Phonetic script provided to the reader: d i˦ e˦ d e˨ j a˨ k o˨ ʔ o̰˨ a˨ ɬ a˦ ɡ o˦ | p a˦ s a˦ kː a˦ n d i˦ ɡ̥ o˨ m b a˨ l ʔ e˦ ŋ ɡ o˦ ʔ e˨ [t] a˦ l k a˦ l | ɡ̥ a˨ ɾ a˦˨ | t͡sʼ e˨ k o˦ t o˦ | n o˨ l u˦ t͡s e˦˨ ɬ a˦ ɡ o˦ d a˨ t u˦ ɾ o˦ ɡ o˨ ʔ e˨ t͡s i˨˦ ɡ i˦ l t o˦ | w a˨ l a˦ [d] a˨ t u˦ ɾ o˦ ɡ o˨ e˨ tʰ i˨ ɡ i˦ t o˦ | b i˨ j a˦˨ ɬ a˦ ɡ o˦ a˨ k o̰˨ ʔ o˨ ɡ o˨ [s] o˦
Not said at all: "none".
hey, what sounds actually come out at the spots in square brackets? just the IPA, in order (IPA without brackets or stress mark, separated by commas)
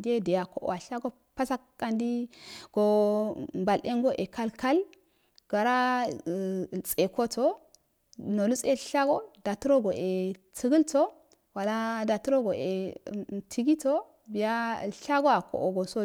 k, d, s